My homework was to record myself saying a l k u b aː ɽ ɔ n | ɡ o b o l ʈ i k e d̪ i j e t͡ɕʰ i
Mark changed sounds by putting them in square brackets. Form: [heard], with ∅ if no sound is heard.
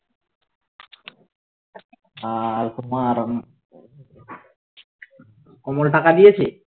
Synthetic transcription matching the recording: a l k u [m] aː [ɾ] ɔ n | [k] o [m] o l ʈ [a] k [a] d̪ i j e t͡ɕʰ i